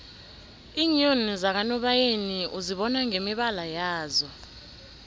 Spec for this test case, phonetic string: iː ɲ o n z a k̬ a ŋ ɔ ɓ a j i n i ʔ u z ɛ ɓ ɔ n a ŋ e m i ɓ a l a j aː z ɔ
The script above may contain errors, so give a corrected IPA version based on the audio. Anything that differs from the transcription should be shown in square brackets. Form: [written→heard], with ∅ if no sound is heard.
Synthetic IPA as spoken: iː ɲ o n z a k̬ a [ŋ→n] ɔ ɓ a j [i→e] n i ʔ u z [ɛ→i] ɓ ɔ n a ŋ e m i ɓ a l a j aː z ɔ

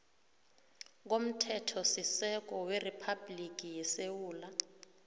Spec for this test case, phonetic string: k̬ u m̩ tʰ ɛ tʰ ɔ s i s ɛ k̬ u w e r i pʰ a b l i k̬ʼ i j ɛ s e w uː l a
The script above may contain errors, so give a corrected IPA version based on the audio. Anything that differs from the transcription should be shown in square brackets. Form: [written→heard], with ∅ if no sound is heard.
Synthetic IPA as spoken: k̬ [u→o] m̩ tʰ ɛ tʰ ɔ s i s ɛ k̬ [u→ɔ] w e r i pʰ a b l i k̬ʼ i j ɛ s e w uː l a

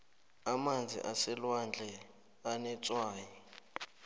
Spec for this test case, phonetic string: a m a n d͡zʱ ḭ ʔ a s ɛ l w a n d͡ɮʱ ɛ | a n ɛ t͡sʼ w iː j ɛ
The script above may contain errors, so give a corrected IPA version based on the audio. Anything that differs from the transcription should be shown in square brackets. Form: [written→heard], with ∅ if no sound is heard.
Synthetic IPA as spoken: a m a n d͡zʱ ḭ ʔ a s ɛ l w a n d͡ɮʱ ɛ | a n ɛ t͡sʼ w [iː→aː] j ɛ

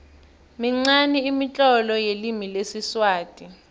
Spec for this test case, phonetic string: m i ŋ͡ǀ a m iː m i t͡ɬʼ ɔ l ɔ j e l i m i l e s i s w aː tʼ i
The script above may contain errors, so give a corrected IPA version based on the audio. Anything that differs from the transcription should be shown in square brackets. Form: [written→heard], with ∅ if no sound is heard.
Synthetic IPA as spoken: m i ŋ͡ǀ a [m→n] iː m i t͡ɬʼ ɔ l ɔ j e l i m i l e s i s w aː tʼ i

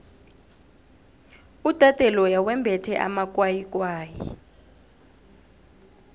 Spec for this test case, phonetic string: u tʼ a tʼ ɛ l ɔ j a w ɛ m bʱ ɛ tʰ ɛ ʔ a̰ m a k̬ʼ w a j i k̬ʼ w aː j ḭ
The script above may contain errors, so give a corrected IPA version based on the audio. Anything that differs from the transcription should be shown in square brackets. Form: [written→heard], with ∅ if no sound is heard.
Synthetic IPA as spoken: u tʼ a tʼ ɛ l ɔ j a w ɛ m bʱ ɛ tʰ ɛ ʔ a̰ m a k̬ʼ w a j i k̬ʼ w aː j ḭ

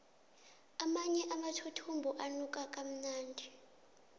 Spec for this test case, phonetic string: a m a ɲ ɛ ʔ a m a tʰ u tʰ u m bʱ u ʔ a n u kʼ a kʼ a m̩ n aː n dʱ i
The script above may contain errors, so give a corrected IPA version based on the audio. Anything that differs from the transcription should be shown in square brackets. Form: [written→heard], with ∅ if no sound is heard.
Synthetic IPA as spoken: a m a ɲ ɛ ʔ a m a tʰ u tʰ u m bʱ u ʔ a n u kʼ a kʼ a m̩ n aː n dʱ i

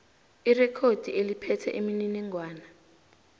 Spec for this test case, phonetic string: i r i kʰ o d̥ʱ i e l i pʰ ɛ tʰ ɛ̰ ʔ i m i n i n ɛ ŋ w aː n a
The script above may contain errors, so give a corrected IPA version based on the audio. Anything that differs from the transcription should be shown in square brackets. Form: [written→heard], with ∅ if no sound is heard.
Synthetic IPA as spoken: i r [i→ɛ] kʰ o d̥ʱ i e l i pʰ ɛ tʰ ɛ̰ ʔ i m i n i n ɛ ŋ w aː n a

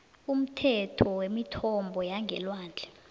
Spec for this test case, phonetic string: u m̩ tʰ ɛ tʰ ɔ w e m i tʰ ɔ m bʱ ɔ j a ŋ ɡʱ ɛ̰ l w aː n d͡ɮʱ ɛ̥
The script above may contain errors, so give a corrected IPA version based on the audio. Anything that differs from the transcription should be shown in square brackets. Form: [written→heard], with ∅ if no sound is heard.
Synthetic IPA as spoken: u m̩ tʰ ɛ tʰ ɔ w e m i tʰ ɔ m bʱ ɔ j a ŋ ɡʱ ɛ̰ l w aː n d͡ɮʱ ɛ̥

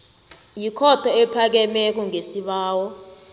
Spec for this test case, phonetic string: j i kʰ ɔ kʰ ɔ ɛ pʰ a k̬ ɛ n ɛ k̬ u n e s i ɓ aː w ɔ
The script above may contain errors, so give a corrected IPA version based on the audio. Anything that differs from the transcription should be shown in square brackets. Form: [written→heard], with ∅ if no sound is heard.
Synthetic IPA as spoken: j i kʰ ɔ [kʰ→tʰ] ɔ ɛ pʰ a k̬ ɛ [n→m] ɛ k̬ u [n→ŋ] e s i ɓ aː w ɔ

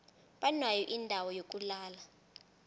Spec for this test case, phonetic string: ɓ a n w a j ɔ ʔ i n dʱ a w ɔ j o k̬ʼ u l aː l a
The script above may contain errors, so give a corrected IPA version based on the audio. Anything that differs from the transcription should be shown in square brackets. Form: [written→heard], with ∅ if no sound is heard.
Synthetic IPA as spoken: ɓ a n w a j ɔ ʔ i n dʱ a w ɔ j o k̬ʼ u l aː l a

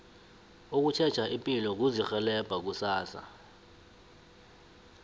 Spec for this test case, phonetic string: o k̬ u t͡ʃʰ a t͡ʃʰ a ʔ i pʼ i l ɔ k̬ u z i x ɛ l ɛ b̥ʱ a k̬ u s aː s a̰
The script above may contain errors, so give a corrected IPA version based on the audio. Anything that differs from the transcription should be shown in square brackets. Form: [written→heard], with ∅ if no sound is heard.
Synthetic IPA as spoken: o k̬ u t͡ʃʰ [a→ɛ] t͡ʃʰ a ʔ i pʼ i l ɔ k̬ u z i x ɛ l ɛ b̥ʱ a k̬ u s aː s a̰

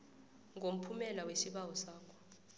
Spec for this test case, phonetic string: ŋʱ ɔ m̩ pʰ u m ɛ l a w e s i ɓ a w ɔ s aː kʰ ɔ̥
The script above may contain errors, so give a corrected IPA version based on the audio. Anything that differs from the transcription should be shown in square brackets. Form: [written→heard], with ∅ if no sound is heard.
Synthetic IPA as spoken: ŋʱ [ɔ→o] m̩ pʰ u m ɛ l a w e s i ɓ a w ɔ s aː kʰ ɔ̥

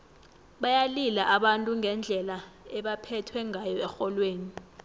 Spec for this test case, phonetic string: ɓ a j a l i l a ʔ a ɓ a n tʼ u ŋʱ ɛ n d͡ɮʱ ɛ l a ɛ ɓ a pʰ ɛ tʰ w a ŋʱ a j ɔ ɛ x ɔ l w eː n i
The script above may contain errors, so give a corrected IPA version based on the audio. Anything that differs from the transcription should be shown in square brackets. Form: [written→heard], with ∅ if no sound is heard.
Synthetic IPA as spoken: ɓ a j a l i l a ʔ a ɓ a n tʼ u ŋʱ ɛ n d͡ɮʱ ɛ l a ɛ ɓ a pʰ ɛ tʰ w [a→ɛ] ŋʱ a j ɔ ɛ x ɔ l w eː n i

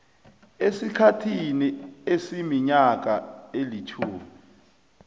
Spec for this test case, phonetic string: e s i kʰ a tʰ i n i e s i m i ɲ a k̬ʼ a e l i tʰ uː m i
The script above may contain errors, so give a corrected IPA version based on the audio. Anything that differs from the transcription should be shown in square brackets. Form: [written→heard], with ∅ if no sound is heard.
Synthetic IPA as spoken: e s i kʰ a tʰ i n i e s i m i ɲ a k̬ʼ a e l i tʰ uː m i

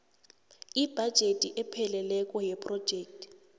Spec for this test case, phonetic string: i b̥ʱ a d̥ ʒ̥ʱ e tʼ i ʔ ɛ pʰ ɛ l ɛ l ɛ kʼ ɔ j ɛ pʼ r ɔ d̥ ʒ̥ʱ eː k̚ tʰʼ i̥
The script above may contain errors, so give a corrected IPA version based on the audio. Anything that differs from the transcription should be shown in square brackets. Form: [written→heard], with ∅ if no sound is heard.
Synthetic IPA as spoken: i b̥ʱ a d̥ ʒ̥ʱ e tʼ i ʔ ɛ pʰ ɛ l ɛ l ɛ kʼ ɔ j ɛ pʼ r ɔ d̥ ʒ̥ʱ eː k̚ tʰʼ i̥

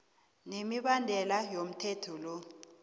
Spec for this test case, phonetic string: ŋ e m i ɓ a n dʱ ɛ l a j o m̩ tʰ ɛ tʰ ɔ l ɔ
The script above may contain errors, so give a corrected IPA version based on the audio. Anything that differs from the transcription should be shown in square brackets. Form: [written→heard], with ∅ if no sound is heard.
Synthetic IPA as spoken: [ŋ→n] e m i ɓ a n dʱ ɛ l a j o m̩ tʰ ɛ tʰ ɔ l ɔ

